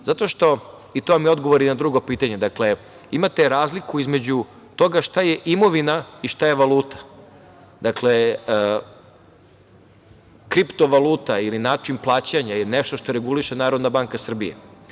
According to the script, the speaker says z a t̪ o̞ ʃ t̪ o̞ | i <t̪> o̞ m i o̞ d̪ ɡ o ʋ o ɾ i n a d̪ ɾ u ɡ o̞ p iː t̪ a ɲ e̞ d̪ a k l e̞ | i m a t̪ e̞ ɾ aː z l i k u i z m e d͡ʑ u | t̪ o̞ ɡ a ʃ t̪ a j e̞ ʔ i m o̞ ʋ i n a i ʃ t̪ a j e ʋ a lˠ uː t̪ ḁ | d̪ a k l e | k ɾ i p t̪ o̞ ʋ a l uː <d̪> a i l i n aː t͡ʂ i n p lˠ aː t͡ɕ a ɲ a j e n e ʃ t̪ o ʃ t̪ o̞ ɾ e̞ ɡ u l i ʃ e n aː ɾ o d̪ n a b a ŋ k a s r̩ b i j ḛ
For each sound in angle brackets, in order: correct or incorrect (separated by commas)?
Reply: correct, incorrect